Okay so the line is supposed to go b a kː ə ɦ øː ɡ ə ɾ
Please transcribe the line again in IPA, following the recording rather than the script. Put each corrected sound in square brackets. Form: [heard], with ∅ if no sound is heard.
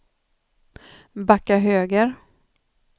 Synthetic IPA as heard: b a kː [a] ɦ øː ɡ ə ɾ